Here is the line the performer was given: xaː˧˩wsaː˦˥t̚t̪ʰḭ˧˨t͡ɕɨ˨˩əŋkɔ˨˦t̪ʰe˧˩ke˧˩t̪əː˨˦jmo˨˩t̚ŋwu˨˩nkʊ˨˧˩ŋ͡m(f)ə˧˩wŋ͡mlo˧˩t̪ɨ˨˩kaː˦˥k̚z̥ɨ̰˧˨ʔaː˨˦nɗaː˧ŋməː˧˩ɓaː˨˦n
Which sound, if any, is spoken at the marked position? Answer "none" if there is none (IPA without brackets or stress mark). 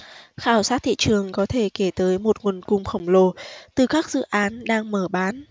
x